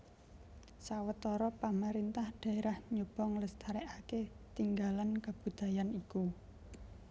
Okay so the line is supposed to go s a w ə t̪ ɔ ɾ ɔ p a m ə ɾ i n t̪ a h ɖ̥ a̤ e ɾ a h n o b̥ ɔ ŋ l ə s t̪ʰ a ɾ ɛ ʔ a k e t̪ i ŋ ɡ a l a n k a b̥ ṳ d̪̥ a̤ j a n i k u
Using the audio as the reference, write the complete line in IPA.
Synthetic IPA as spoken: s a w ə t̪ ɔ ɾ ɔ p a m a ɾ i n t̪ a h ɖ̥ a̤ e ɾ a h ɲ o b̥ ɔ ŋ l ə s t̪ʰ a ɾ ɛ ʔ a k e t̪ i ŋ ɡ a l a n k a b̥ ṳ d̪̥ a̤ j a n i k u